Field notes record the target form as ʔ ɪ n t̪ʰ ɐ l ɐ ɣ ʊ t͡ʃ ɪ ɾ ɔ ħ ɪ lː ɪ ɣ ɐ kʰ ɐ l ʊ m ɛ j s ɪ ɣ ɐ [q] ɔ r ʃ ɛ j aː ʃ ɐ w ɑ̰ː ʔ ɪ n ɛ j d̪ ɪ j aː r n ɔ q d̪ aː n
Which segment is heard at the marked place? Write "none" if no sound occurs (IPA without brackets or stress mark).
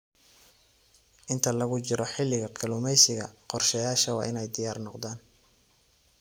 q